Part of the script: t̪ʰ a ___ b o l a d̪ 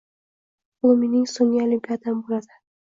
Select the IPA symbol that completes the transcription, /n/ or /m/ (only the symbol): m